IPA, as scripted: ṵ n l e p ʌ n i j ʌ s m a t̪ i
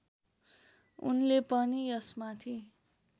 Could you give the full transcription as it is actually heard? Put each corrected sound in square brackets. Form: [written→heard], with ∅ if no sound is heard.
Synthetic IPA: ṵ n l e p ʌ n i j ʌ s m a [t̪→t̪ʰ] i

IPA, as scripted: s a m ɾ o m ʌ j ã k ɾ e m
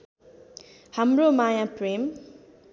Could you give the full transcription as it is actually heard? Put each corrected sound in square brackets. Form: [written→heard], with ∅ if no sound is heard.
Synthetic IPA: [s→h] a m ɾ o m [ʌ→a] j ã [k→p] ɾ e m

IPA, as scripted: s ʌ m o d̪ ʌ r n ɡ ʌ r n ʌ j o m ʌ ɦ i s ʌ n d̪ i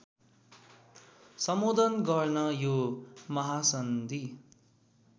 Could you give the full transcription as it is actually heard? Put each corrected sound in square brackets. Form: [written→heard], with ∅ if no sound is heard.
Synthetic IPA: s ʌ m o d̪ ʌ [r→∅] n ɡ ʌ r n ʌ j o m ʌ ɦ [i→a] s ʌ n d̪ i

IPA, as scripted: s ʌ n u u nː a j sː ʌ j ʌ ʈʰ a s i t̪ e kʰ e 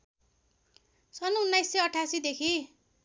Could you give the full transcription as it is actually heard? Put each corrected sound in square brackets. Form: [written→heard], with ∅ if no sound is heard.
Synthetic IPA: s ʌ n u u nː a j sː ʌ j ʌ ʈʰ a s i [t̪→d̪] e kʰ [e→i]

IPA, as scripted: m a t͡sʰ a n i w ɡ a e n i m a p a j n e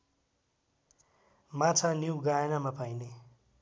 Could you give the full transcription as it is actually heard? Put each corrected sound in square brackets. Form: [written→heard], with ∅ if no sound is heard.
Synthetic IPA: m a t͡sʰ a n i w ɡ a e n [i→a] m a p a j n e

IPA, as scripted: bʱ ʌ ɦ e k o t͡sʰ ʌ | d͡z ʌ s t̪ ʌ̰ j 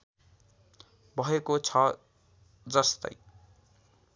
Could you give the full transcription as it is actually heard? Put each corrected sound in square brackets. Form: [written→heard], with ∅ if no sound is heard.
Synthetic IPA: bʱ ʌ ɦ e k o t͡sʰ ʌ | d͡z ʌ s t̪ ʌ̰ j

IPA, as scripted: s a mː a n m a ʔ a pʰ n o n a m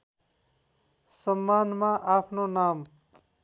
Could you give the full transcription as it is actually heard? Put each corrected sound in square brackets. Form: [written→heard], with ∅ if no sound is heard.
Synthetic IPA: s [a→ʌ] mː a n m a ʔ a pʰ n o n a m

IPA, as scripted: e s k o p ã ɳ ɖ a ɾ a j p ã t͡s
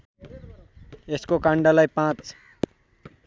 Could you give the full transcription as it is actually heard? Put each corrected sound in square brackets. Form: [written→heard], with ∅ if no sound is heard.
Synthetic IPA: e s k o [p→k] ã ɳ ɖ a [ɾ→l] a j p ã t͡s

